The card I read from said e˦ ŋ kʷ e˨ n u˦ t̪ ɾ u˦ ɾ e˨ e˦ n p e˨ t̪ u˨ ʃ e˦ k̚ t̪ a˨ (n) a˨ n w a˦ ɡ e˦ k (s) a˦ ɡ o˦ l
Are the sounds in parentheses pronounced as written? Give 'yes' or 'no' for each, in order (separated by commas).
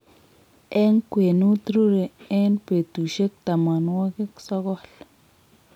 no, yes